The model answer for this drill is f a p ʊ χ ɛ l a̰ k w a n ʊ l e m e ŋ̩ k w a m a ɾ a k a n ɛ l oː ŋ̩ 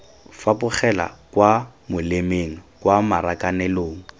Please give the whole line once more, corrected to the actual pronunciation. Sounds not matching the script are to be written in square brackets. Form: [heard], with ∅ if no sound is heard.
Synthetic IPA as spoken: f a p ʊ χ ɛ l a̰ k w a [m] ʊ l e m e ŋ̩ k w a m a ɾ a k a n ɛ l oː ŋ̩